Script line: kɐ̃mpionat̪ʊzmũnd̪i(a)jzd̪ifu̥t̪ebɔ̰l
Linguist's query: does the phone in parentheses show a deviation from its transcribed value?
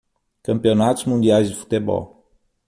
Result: no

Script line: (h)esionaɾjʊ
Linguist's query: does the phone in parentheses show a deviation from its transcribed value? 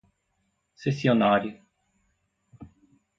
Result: yes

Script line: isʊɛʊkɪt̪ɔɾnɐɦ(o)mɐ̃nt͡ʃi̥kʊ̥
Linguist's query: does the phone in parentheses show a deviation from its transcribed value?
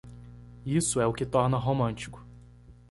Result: no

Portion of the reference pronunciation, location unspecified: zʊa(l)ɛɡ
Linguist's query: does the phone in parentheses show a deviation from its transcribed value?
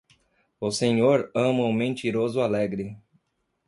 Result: no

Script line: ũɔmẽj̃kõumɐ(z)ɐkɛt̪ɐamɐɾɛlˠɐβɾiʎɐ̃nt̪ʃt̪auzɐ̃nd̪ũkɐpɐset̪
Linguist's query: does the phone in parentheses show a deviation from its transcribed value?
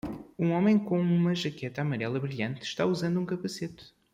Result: yes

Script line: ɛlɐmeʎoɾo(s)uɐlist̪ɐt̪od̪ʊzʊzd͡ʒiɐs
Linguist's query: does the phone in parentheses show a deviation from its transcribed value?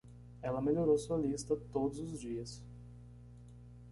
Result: no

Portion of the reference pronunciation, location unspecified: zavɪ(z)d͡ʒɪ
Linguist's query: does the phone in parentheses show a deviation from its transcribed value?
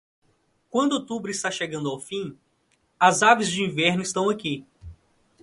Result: no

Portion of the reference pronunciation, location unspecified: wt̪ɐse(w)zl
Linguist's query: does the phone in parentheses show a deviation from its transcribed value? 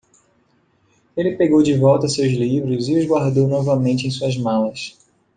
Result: no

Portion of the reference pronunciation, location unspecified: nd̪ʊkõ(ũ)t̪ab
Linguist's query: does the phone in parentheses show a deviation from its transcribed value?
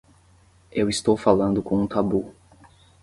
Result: no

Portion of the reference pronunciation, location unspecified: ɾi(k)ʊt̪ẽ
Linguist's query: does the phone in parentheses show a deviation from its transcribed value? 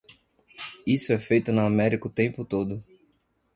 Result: no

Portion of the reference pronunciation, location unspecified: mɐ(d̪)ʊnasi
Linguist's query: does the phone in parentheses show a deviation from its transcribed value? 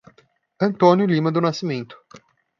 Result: no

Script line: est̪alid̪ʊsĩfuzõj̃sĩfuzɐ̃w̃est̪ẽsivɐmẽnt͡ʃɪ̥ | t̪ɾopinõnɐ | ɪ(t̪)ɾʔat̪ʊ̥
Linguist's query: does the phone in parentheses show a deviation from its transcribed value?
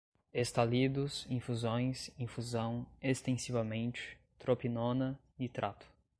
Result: no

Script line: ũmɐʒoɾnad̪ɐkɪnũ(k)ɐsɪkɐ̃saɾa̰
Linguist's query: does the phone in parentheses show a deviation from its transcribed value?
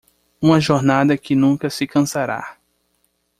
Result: no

